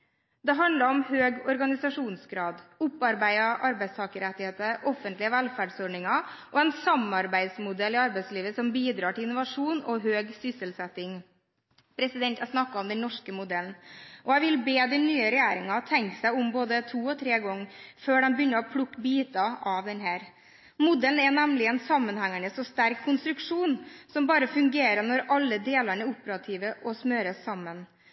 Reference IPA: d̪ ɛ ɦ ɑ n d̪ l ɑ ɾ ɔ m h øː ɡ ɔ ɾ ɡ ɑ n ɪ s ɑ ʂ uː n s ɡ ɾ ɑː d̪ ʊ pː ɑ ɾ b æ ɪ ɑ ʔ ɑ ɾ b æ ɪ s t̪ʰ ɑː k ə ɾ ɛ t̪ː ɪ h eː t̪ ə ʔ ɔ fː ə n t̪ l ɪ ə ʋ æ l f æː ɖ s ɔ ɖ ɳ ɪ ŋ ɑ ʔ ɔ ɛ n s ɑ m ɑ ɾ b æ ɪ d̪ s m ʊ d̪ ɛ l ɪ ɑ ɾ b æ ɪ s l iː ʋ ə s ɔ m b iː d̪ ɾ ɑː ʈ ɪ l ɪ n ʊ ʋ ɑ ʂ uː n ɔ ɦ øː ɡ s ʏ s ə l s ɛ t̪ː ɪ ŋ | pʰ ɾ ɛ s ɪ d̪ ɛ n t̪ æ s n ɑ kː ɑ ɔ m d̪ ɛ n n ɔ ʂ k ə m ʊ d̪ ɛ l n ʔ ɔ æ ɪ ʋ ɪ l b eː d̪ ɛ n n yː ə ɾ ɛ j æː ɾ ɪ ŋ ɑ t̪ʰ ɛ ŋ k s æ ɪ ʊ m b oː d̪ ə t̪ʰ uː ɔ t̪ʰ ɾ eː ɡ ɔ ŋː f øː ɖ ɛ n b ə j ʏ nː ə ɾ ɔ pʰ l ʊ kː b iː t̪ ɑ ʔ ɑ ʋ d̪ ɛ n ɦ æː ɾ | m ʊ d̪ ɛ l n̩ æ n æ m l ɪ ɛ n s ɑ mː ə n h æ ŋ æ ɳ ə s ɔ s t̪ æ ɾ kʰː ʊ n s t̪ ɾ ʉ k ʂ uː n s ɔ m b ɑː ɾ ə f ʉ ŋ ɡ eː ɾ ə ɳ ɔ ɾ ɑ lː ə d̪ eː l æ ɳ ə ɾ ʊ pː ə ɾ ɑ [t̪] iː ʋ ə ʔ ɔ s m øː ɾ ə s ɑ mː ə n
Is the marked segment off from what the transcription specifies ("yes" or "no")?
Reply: yes